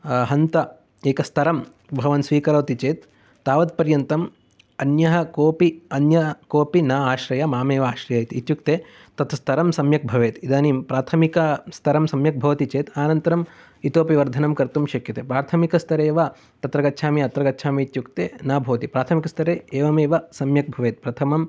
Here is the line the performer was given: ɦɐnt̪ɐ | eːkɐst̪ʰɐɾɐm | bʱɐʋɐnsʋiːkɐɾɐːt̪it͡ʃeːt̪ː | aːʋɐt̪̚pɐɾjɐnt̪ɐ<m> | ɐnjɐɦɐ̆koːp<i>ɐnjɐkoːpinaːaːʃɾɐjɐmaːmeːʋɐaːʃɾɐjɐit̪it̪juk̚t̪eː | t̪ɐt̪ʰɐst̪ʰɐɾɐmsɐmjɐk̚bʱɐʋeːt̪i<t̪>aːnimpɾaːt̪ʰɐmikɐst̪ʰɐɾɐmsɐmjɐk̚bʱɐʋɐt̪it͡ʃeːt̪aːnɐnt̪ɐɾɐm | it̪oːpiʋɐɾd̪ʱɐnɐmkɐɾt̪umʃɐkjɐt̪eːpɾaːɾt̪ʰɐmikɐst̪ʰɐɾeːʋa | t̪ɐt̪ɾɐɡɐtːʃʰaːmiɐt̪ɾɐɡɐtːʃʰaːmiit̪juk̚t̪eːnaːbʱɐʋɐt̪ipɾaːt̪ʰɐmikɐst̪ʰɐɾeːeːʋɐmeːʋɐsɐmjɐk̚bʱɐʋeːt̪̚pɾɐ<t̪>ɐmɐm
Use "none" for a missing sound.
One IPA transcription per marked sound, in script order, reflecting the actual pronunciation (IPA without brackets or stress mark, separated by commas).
m, i, d̪, t̪ʰ